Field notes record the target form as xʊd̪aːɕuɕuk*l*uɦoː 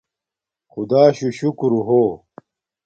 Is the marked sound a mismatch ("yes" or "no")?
yes